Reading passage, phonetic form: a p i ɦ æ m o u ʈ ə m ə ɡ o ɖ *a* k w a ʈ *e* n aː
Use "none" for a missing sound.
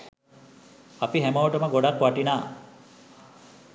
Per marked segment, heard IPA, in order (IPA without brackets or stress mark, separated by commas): a, i